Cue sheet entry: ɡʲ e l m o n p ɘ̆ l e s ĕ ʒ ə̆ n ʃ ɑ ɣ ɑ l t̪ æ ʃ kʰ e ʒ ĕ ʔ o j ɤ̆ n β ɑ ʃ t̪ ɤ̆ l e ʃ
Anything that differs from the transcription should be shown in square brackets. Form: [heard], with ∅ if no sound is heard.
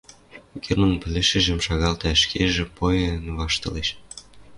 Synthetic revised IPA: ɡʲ e [r] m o n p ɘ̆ l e [ʃ] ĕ ʒ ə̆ [m] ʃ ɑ ɣ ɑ l t̪ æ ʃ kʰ e ʒ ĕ [p] o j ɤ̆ n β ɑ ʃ t̪ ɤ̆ l e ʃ